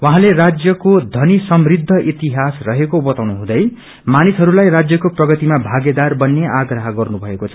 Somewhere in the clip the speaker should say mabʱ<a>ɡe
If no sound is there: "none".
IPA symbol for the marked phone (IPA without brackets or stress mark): a